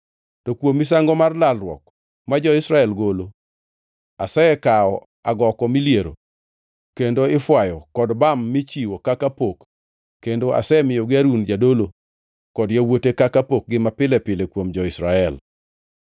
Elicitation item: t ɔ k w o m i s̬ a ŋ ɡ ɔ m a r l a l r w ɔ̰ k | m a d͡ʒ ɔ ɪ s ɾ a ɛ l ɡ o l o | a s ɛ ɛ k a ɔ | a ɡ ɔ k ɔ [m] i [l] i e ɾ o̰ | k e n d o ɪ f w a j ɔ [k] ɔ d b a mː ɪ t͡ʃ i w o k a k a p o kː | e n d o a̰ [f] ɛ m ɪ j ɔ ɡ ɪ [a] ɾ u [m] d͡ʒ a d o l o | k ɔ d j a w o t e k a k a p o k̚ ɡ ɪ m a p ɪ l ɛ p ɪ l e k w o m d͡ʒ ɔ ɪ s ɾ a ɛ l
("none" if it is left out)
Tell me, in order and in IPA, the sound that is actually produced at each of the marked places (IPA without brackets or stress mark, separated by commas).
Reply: m, l, k, s, a, n